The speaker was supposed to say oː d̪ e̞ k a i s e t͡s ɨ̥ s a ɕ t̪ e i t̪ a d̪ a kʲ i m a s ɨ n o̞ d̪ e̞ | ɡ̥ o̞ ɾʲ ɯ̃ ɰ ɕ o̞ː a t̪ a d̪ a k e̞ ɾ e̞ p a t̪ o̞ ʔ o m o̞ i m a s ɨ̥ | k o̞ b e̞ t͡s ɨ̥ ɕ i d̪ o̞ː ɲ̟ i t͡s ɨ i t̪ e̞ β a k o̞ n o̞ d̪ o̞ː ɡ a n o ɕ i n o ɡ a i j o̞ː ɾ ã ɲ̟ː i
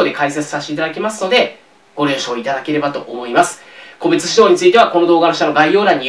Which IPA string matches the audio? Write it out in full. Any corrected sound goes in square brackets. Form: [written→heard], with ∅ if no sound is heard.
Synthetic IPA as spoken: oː d̪ e̞ k a i s e t͡s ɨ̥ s a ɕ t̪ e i t̪ a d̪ a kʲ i m a s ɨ n o̞ d̪ e̞ | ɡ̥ o̞ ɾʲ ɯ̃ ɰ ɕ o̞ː [a→i] t̪ a d̪ a k e̞ ɾ e̞ [p→b] a t̪ o̞ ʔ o m o̞ i m a s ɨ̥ | k o̞ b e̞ t͡s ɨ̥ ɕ i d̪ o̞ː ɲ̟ i t͡s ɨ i t̪ e̞ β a k o̞ n o̞ d̪ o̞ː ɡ a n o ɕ [i→a] n o ɡ a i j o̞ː ɾ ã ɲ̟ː i